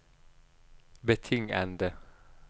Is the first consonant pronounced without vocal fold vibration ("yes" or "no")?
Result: no